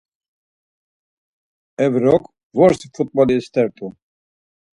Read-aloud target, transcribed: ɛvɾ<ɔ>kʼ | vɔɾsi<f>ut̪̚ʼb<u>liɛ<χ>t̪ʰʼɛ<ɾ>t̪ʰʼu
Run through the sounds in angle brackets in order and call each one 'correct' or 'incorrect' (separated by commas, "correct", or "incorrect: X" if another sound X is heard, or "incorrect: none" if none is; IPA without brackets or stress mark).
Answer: correct, correct, incorrect: ɔ, incorrect: s, correct